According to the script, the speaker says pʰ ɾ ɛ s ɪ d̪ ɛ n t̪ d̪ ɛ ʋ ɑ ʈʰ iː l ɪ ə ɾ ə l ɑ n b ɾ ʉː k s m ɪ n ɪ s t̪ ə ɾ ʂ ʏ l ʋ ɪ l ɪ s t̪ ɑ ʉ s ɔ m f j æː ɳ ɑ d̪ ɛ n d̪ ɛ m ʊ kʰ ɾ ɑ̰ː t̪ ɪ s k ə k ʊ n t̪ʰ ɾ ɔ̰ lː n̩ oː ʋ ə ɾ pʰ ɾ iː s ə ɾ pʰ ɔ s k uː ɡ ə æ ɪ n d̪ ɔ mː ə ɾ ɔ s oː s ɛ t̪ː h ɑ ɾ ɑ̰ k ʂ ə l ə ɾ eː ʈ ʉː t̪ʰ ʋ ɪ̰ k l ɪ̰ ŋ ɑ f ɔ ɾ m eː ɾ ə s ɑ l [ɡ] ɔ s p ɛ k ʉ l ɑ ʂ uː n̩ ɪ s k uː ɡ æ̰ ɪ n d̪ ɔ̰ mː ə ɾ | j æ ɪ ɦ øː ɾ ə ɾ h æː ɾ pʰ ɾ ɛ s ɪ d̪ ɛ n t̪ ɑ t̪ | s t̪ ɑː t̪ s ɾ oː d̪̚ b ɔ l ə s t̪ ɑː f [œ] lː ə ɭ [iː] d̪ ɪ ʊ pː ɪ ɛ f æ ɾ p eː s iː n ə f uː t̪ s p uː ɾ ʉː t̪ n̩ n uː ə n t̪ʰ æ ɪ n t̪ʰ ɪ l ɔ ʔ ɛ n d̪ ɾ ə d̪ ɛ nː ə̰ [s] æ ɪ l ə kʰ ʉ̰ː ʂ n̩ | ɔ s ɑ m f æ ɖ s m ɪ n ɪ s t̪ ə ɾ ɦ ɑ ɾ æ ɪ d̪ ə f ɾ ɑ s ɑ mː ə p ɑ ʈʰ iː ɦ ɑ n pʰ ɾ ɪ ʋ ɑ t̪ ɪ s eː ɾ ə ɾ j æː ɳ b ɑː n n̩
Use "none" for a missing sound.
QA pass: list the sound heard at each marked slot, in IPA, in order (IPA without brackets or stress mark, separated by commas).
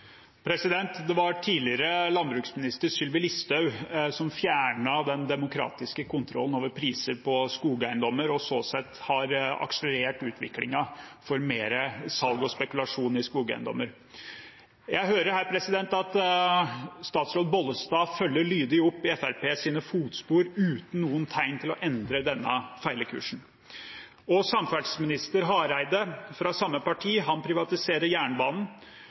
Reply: ɡ, œ, yː, f